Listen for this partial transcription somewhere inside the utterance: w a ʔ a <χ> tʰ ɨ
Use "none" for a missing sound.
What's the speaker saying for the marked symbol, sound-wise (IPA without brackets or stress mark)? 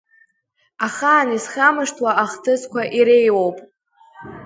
χ